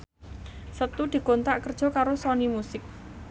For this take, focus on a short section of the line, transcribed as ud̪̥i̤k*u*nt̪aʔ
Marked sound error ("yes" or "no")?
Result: yes